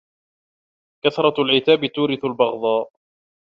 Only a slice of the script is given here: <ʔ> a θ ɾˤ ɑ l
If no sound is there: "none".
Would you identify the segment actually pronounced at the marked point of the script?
k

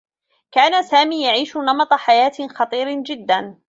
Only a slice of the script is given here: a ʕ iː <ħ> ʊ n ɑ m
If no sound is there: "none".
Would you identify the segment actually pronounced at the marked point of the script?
ʃ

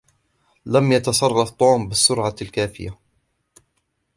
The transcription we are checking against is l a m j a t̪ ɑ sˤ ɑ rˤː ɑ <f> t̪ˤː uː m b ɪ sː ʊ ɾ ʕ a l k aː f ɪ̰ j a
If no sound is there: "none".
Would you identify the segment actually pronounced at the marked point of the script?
f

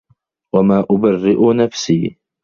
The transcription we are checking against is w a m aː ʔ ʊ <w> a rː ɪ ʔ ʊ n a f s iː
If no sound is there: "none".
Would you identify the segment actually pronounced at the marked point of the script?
b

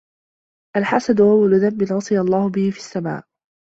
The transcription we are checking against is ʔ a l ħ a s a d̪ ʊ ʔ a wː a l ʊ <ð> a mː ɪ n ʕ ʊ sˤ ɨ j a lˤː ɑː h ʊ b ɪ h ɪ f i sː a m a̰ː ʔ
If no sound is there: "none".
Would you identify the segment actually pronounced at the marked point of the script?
ð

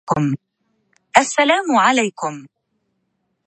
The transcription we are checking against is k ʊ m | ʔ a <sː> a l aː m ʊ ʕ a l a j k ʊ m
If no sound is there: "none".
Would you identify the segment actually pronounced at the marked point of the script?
sː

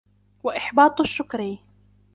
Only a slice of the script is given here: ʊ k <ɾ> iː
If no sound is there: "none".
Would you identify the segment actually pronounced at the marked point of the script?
ɾ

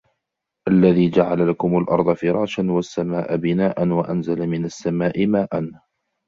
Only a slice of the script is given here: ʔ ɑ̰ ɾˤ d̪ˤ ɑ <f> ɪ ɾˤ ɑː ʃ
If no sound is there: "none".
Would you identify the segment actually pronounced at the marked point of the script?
f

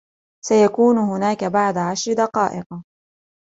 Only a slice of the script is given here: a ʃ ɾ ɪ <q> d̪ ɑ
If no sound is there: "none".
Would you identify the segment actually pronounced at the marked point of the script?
none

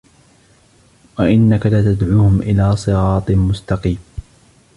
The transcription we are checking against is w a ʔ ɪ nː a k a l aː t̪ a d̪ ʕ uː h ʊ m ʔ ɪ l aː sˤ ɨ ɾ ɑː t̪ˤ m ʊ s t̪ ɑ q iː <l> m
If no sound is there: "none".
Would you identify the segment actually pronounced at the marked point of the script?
none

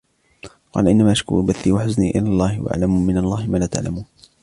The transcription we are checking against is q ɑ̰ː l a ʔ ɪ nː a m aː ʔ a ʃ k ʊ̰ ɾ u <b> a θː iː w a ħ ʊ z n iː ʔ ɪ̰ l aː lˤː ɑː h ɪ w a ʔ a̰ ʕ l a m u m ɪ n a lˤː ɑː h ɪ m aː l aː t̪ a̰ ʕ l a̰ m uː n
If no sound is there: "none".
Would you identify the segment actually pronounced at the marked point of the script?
b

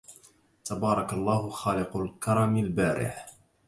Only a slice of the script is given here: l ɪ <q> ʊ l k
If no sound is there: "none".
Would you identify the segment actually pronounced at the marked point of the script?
q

